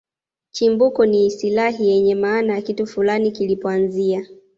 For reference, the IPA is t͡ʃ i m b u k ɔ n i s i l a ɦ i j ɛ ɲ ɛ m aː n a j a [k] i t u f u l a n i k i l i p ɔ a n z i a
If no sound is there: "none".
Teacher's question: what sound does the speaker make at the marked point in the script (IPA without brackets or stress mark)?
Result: k